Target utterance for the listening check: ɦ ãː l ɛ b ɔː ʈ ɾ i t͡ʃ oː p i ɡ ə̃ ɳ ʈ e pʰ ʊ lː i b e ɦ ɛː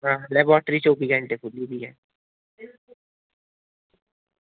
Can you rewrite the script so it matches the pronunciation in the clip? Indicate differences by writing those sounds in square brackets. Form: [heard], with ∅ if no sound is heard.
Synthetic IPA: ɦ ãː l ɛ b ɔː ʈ ɾ i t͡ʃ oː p i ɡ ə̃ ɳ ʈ e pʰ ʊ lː i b [i] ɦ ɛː